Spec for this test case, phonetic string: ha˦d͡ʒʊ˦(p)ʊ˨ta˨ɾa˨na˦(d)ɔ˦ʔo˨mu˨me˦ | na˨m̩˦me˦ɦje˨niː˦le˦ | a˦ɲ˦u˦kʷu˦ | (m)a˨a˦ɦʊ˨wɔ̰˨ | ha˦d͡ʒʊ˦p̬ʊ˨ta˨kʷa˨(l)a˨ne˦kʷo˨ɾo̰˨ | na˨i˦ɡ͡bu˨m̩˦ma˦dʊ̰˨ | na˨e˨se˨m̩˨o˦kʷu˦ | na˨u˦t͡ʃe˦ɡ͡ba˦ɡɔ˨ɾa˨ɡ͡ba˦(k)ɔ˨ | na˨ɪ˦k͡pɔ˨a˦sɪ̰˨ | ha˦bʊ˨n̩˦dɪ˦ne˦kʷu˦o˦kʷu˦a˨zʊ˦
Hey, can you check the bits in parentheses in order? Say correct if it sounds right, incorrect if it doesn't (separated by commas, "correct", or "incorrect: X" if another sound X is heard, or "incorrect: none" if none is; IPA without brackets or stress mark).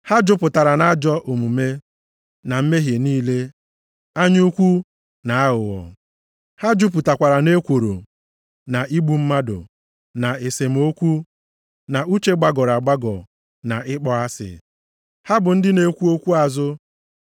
correct, incorrect: d͡ʒ, incorrect: n, incorrect: ɾ, incorrect: ɡ